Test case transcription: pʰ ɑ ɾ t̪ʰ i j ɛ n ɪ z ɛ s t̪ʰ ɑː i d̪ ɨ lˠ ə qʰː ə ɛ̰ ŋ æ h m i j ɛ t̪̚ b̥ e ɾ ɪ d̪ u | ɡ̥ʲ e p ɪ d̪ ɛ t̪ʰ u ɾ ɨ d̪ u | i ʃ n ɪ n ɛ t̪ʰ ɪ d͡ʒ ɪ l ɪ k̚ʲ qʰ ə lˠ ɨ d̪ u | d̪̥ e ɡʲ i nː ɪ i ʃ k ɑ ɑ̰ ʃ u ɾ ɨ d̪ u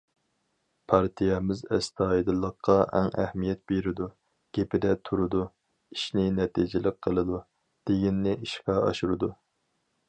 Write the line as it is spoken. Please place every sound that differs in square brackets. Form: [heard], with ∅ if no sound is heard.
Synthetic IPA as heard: pʰ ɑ ɾ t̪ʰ i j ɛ [m] ɪ z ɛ s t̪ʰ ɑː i d̪ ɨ lˠ ə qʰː [ɑ] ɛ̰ ŋ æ h m i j ɛ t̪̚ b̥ e ɾ ɪ d̪ u | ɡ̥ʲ e p ɪ d̪ ɛ t̪ʰ u ɾ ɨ d̪ u | i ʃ n ɪ n ɛ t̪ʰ [i] d͡ʒ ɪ l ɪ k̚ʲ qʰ ə lˠ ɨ d̪ u | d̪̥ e ɡʲ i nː ɪ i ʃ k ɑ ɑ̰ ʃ u ɾ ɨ d̪ u